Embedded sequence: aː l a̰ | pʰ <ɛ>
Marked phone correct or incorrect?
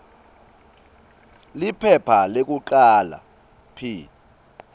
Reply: incorrect